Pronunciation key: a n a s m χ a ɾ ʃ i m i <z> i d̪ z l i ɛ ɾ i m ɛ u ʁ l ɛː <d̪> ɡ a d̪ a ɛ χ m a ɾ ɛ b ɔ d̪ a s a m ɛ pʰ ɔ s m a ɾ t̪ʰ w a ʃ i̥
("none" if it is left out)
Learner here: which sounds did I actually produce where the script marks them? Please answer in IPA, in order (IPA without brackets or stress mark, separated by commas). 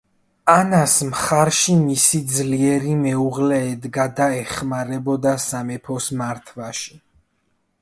s, d̪